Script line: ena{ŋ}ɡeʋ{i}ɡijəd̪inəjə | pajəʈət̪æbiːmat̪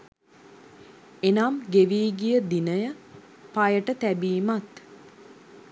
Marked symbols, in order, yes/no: no, no

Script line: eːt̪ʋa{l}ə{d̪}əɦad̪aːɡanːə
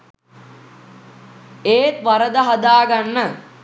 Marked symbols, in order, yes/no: no, yes

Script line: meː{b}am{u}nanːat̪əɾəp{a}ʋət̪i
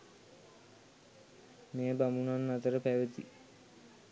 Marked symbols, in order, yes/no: yes, yes, no

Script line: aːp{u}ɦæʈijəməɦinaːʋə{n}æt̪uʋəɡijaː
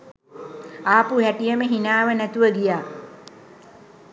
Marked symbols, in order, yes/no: yes, yes

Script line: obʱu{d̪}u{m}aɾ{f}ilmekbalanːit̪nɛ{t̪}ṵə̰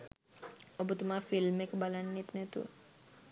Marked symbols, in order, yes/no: no, yes, yes, yes

